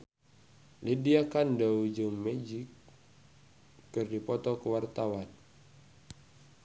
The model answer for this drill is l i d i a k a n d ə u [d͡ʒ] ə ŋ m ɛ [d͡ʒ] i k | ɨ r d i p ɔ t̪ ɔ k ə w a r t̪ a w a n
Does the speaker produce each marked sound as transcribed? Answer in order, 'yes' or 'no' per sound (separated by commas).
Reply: yes, yes